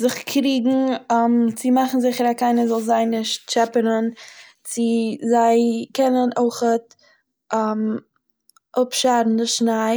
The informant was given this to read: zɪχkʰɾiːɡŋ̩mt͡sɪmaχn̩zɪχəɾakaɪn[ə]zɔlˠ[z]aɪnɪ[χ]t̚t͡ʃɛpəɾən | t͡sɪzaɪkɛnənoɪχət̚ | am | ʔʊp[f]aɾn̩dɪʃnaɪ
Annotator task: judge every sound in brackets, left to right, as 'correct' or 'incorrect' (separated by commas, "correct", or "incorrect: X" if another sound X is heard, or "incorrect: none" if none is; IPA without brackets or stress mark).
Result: correct, correct, incorrect: ʃ, incorrect: ʃ